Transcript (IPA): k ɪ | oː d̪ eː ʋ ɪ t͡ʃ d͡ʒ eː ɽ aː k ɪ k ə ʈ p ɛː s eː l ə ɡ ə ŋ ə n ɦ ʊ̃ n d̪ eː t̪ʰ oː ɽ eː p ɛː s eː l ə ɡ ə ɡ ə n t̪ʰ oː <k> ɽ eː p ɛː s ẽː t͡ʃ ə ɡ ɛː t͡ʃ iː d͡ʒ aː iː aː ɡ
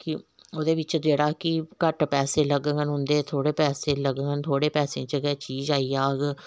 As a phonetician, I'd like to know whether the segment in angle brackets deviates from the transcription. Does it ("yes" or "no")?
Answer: yes